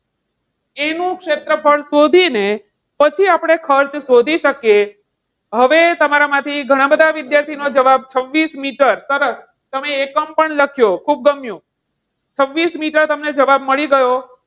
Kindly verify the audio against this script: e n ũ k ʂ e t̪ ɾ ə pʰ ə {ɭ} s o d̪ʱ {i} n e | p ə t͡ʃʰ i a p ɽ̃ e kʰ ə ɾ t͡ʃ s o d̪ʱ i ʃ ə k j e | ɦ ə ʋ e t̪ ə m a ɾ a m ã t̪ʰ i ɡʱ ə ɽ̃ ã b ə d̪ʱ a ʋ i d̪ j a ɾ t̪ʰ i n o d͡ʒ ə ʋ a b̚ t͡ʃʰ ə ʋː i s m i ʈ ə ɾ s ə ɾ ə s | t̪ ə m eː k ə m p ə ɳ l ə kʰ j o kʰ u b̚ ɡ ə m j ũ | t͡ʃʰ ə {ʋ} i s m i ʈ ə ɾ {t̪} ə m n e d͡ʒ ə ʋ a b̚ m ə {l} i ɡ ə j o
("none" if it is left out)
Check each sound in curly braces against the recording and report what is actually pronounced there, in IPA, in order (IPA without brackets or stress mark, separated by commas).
ɭ, i, ʋː, t̪, ɭ